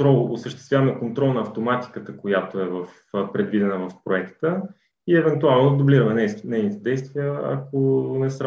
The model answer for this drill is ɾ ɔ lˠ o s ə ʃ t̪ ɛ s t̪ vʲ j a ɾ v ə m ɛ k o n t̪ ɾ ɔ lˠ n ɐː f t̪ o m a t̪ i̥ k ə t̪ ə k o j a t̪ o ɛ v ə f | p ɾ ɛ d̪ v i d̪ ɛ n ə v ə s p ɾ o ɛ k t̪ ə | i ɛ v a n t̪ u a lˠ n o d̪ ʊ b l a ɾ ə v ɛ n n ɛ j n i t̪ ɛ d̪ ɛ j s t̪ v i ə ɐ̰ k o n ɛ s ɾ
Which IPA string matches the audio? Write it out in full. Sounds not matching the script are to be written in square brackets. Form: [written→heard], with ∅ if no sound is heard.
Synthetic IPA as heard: ɾ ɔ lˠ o s ə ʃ t̪ ɛ s t̪ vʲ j a [ɾ→∅] v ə m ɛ k o n t̪ ɾ ɔ lˠ n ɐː f t̪ o m a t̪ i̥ k ə t̪ ə k o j a t̪ o ɛ v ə f | p ɾ ɛ d̪ v i d̪ ɛ n ə v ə [s→f] p ɾ o ɛ k t̪ ə | i ɛ v [a→ɛ] n t̪ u a lˠ n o d̪ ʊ b l [a→i] ɾ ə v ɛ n n ɛ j n i t̪ ɛ d̪ ɛ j s t̪ v i ə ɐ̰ k o n ɛ s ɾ